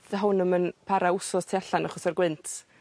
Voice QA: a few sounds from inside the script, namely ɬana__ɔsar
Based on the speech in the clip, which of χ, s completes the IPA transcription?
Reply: χ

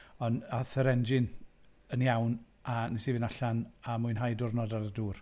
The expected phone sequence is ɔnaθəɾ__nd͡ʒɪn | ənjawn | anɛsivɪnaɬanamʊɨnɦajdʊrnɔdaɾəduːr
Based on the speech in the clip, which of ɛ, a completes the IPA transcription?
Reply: ɛ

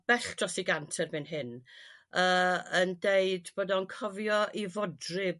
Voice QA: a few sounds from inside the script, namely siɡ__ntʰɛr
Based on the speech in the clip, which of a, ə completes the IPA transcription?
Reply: a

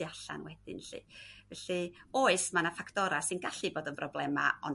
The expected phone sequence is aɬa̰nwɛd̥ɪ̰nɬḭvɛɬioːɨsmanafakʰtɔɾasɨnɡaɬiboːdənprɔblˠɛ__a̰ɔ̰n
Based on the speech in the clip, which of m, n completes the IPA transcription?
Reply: m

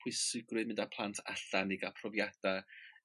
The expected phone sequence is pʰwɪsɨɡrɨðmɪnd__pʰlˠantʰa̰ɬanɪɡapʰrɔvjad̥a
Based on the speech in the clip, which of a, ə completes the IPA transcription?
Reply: a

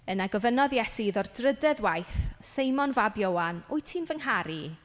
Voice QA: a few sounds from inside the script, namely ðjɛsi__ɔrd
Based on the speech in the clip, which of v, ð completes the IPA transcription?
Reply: ð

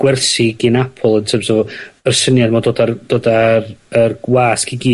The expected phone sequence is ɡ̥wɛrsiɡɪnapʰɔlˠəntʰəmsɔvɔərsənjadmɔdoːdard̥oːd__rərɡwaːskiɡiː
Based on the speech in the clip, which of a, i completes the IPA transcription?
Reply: a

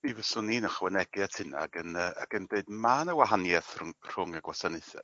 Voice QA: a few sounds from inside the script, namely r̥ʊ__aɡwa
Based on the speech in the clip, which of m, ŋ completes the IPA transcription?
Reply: ŋ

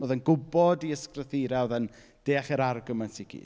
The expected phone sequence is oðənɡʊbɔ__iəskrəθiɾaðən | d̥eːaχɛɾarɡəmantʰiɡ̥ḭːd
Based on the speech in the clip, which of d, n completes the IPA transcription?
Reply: d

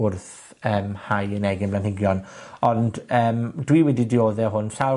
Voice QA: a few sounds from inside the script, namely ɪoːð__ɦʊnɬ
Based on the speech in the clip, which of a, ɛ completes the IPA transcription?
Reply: ɛ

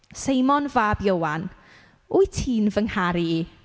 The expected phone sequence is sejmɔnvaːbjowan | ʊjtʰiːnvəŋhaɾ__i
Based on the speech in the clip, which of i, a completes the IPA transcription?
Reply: i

